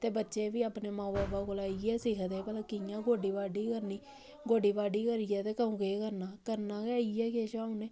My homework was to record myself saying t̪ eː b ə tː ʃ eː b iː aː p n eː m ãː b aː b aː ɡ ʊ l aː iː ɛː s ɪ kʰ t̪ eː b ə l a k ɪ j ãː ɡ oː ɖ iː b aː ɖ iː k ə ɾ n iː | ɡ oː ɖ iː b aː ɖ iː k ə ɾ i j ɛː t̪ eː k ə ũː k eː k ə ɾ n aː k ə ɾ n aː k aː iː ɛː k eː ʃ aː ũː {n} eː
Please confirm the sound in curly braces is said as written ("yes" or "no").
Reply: yes